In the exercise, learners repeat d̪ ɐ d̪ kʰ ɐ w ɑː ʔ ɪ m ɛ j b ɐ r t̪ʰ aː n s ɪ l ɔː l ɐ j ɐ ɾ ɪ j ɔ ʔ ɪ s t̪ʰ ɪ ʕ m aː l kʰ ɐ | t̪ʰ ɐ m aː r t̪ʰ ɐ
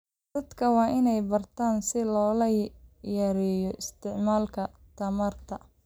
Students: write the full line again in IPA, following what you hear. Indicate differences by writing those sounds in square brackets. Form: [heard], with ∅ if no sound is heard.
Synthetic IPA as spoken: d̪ ɐ d̪ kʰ ɐ w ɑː ʔ ɪ [n] ɛ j b ɐ r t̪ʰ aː n s ɪ l ɔː l ɐ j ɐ ɾ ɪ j ɔ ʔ ɪ s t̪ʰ ɪ ʕ m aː l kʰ ɐ | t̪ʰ ɐ m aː r t̪ʰ ɐ